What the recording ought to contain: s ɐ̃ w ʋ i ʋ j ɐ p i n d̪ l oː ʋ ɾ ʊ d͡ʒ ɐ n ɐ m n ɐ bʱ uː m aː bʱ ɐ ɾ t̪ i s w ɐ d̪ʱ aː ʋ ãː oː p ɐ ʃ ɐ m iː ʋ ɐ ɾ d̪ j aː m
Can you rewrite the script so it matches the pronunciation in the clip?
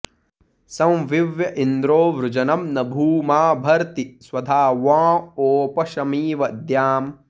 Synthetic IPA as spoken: s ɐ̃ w ʋ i ʋ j ɐ ʔ i n d̪ ɾ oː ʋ ɾ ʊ d͡ʒ ɐ n ɐ m n ɐ bʱ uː m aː bʱ ɐ ɾ t̪ i s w ɐ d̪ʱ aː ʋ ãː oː p ɐ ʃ ɐ m iː ʋ ɐ d̪ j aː m